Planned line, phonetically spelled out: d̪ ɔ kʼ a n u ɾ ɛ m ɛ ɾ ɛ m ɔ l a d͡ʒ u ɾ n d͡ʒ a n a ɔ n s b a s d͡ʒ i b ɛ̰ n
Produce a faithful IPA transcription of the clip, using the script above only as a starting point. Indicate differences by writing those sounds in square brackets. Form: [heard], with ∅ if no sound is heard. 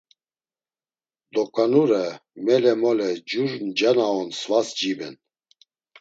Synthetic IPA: d̪ ɔ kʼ a n u ɾ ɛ m ɛ [l] ɛ m ɔ l [ɛ] d͡ʒ u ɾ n d͡ʒ a n a ɔ n s [v] a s d͡ʒ i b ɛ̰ n

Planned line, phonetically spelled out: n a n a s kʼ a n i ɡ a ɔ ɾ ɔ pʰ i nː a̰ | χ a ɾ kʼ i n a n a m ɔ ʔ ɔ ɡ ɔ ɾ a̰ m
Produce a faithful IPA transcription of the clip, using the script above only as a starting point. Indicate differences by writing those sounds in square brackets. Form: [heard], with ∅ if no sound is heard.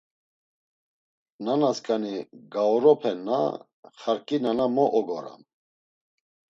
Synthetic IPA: n a n a s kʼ a n i ɡ a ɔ ɾ ɔ pʰ [ɛ] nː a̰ | χ a ɾ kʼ i n a n a m ɔ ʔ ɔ ɡ ɔ ɾ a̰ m

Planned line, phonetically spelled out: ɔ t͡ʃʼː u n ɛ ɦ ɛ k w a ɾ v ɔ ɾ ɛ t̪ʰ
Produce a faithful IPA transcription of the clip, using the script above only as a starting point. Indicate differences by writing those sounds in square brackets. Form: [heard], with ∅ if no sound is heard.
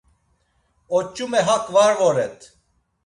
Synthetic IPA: ɔ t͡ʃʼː u [m] ɛ ɦ [a] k [v] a ɾ v ɔ ɾ ɛ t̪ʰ

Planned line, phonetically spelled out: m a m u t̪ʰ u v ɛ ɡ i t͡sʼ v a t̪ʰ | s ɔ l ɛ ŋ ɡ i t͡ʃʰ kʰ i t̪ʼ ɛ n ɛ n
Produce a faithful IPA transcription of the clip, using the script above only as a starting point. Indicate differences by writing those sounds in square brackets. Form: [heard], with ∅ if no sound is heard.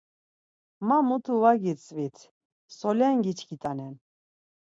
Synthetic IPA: m a m u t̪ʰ u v [a] ɡ i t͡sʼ v [i] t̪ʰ | s ɔ l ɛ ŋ ɡ i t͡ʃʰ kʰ i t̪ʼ [a] n ɛ n

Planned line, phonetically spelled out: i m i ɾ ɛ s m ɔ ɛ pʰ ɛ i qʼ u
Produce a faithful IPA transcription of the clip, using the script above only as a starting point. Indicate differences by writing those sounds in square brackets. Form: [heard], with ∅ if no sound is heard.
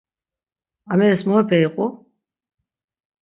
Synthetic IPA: [a] m [ɛ] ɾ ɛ s m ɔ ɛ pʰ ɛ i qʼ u

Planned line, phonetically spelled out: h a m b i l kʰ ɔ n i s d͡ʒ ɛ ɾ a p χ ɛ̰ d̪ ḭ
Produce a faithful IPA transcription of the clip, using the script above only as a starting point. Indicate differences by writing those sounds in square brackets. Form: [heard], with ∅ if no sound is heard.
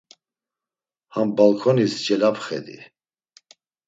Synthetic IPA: h a m b [a] l kʰ ɔ n i s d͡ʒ ɛ [l] a p χ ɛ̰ d̪ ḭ

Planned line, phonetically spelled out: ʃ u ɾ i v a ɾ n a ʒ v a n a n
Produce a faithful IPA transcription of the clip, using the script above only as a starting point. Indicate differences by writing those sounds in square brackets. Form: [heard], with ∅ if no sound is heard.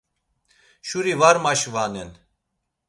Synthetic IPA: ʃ u ɾ i v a ɾ [m] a [ʃ] v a n [ɛ] n

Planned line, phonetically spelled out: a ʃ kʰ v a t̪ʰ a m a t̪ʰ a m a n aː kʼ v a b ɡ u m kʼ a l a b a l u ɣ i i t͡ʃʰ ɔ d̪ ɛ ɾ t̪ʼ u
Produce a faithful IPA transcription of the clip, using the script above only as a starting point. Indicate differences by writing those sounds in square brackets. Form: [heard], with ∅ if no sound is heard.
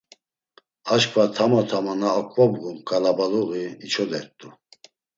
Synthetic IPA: a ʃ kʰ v a t̪ʰ a m a t̪ʰ a m a n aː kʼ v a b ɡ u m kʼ a l a b a l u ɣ i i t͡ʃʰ ɔ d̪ ɛ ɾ t̪ʼ u

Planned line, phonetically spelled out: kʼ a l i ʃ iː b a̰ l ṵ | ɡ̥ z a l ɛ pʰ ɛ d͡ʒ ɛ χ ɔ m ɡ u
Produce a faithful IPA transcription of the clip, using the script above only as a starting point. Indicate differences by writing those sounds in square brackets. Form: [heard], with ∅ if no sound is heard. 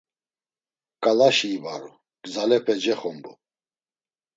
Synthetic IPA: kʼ a l [a] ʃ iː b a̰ [ɾ] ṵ | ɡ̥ z a l ɛ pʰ ɛ d͡ʒ ɛ χ ɔ m [b] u

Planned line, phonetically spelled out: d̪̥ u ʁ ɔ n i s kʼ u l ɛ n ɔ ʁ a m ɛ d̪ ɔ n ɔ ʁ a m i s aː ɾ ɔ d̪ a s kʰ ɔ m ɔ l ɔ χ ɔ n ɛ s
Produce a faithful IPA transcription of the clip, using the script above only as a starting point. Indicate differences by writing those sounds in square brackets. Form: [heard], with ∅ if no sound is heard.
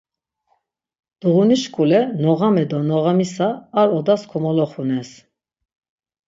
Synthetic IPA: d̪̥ u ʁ [u] n i [ʃ] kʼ u l ɛ n ɔ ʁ a m ɛ d̪ ɔ n ɔ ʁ a m i s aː ɾ ɔ d̪ a s kʰ ɔ m ɔ l ɔ χ [u] n ɛ s

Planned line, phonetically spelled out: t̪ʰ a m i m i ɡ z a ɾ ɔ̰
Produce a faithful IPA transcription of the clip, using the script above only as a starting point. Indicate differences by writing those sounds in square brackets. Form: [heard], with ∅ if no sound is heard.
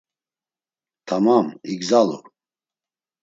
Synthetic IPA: t̪ʰ a m [a] m i ɡ z a [l] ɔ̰

